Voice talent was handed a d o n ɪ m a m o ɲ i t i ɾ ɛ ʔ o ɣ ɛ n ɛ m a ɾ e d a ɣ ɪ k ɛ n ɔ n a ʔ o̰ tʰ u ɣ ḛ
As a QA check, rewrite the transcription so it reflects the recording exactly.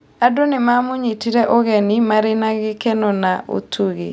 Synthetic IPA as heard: a d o n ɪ m a m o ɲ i t i ɾ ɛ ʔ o ɣ ɛ n i m a ɾ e n a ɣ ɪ k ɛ n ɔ n a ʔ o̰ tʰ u ɣ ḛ